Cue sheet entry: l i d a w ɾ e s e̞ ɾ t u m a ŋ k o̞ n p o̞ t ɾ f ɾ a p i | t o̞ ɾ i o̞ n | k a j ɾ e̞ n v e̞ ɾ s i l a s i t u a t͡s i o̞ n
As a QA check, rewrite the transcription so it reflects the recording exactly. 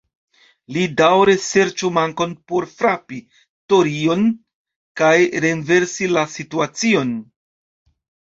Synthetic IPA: l i d a w ɾ e s e̞ ɾ t͡ʃ u m a ŋ k o̞ n p o̞ ɾ f ɾ a p i | t o̞ ɾ i o̞ n | k a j ɾ e̞ n v e̞ ɾ s i l a s i t u a t͡s i o̞ n